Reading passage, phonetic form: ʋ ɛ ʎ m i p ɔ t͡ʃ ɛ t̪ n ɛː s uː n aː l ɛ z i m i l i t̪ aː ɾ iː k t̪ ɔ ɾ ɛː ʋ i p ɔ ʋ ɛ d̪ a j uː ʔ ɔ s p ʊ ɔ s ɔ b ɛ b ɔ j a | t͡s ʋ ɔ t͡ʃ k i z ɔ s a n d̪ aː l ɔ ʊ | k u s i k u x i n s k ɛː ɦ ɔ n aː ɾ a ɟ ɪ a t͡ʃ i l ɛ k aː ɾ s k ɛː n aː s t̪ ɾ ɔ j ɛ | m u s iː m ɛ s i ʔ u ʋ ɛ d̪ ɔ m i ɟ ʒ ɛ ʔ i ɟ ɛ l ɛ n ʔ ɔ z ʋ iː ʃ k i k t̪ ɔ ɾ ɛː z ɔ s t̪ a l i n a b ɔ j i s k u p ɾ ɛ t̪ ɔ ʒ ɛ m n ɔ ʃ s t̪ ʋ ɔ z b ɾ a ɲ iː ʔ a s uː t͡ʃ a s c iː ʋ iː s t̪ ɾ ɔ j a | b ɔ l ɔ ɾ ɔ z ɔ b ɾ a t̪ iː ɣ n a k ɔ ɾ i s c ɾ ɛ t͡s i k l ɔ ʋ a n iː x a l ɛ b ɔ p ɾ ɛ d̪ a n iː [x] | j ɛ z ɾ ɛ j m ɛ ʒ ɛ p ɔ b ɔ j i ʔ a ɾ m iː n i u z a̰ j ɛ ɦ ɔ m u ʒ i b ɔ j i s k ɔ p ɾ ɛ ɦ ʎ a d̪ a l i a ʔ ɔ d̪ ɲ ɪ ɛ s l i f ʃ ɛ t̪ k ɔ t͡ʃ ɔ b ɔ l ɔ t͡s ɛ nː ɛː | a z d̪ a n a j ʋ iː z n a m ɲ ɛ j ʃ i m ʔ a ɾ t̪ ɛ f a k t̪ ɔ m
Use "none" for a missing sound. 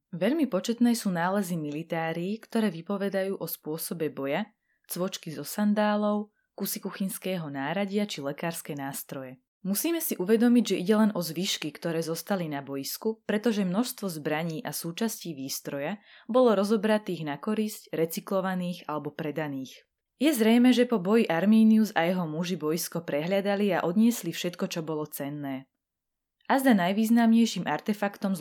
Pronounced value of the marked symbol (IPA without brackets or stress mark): x